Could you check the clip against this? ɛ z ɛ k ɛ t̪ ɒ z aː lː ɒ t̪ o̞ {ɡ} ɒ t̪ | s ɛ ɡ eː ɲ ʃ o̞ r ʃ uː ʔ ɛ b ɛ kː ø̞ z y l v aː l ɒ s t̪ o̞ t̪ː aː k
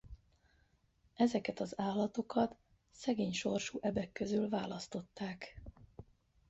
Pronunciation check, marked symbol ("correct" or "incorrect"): incorrect